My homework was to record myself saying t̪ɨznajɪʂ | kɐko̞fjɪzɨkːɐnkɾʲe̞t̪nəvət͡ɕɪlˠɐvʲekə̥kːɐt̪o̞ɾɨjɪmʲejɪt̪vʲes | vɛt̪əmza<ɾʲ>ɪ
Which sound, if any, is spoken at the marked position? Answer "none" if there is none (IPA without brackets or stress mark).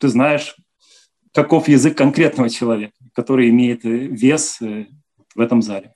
lʲ